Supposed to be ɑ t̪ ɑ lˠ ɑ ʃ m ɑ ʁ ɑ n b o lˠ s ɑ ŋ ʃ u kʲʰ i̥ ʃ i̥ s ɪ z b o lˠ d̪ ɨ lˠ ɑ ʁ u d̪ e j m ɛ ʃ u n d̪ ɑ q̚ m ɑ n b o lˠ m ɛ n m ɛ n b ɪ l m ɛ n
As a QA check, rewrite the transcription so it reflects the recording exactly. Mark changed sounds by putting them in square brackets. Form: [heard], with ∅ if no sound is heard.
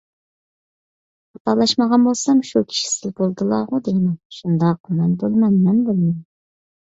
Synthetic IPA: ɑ t̪ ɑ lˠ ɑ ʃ m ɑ ʁ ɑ n b o lˠ s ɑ [m] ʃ u kʲʰ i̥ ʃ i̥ s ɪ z b o lˠ d̪ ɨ lˠ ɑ ʁ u d̪ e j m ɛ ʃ u n d̪ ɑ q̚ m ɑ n b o lˠ m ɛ n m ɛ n b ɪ l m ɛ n